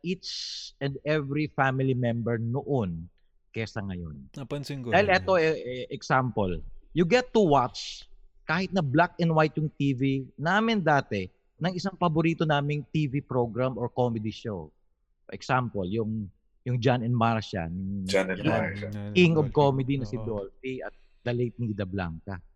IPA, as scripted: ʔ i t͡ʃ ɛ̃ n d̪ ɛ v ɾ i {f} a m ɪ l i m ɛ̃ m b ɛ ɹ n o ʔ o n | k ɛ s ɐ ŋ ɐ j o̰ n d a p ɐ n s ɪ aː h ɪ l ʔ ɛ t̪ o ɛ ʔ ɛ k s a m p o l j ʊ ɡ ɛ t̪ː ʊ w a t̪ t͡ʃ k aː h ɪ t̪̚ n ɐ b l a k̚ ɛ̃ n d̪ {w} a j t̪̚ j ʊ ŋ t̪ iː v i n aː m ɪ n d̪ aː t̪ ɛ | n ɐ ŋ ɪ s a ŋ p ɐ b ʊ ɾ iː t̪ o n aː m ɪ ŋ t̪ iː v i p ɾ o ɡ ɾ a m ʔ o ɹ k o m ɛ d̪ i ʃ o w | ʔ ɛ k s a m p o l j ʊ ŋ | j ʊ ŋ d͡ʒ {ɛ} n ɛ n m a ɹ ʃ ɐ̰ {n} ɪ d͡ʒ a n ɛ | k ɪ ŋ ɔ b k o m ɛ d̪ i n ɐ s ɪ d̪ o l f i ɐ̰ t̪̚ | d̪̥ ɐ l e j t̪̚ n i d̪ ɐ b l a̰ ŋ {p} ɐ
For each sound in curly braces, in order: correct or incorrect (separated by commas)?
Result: correct, correct, incorrect, correct, incorrect